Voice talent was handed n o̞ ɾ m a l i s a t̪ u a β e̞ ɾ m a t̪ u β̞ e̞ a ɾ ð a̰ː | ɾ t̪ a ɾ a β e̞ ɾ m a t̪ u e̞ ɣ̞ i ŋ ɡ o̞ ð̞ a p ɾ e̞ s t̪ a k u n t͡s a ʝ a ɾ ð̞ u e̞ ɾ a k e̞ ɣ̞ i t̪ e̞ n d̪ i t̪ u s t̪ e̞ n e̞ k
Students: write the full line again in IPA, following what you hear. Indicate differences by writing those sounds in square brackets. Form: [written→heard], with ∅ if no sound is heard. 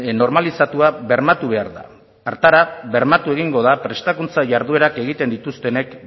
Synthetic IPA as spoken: n o̞ ɾ m a l i s a t̪ u a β e̞ ɾ m a t̪ u β̞ e̞ a ɾ ð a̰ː | ɾ t̪ a ɾ a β e̞ ɾ m a t̪ u e̞ ɣ̞ i ŋ ɡ o̞ ð̞ a p ɾ e̞ s t̪ a k u n t͡s a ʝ a ɾ ð̞ u e̞ ɾ a k e̞ ɣ̞ i t̪ e̞ n d̪ i t̪ u s t̪ e̞ n e̞ k